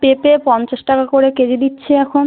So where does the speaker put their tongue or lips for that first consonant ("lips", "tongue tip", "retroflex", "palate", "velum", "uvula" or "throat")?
lips